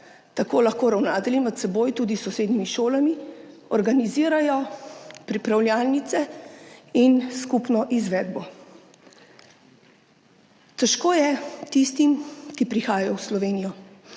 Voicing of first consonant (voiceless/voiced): voiceless